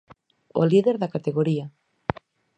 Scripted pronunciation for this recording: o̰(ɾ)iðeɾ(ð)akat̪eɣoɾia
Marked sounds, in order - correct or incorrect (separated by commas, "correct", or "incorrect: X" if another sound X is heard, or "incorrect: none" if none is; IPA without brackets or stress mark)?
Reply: incorrect: l, correct